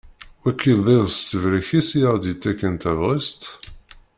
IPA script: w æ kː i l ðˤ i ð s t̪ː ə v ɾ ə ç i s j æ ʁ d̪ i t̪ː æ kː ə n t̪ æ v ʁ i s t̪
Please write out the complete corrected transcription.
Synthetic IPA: w æ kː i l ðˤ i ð s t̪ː ə v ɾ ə ç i s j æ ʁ d̪ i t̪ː æ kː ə n t̪ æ v ʁ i s t̪